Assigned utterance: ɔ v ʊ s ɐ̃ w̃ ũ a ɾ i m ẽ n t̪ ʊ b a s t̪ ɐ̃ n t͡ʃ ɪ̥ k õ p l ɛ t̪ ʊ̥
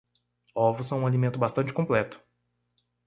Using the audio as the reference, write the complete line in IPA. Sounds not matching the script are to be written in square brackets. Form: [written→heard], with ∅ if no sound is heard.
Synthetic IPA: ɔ v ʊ s ɐ̃ w̃ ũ a [ɾ→l] i m ẽ n t̪ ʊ b a s t̪ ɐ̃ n t͡ʃ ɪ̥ k õ p l ɛ t̪ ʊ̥

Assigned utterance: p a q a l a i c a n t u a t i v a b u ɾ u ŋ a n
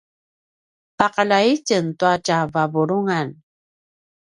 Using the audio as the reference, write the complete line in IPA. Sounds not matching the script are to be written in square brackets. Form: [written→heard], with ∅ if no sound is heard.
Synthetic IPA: p a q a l a i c [a→ə] n t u a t [i→a] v a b u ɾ u ŋ a n

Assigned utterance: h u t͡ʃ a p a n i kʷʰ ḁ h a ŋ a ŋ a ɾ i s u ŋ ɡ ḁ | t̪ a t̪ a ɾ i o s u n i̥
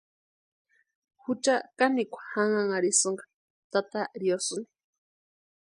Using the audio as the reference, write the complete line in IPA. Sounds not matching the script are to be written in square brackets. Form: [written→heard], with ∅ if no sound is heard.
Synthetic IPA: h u t͡ʃ a [p→k] a n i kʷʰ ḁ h a ŋ a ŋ a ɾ i s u ŋ ɡ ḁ | t̪ a t̪ a ɾ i o s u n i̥

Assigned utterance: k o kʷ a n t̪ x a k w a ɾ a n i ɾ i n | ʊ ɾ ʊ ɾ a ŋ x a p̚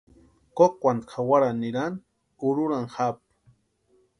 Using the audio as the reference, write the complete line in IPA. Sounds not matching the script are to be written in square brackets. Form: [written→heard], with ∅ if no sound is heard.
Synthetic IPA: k o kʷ a n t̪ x a [k→∅] w a ɾ a n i ɾ [i→a] n | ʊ ɾ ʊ ɾ a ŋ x a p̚

